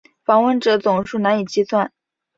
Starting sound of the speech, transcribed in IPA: f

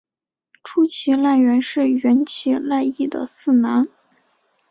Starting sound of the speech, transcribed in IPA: ʈ͡ʂʰ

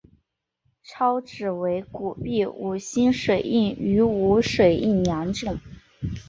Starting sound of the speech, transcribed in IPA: ʈ͡ʂʰ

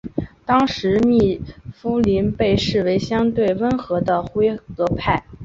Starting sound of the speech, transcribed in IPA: t̪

